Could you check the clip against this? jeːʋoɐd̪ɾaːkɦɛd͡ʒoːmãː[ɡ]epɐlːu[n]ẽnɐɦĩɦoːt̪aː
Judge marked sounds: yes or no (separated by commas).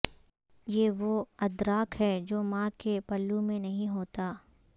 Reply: no, no